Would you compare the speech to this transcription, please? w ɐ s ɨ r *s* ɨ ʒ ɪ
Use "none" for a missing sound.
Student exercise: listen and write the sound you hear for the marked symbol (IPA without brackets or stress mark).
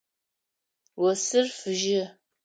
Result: f